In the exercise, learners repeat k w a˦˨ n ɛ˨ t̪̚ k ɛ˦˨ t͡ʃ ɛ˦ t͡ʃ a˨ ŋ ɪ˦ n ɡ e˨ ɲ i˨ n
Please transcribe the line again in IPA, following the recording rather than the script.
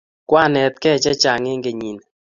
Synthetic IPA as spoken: k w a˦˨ n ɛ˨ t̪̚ k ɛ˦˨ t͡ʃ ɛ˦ t͡ʃ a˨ ŋ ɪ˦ ŋ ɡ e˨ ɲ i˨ n